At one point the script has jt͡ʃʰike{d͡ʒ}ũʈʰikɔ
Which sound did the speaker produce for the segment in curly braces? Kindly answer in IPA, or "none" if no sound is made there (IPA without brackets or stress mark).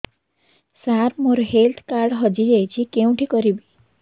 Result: none